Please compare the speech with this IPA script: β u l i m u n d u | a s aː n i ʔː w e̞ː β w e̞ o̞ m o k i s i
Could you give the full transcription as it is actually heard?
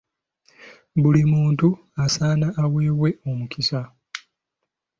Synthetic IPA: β u l i m uː n t u | a s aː n a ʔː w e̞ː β w e̞ o̞ m u k i s a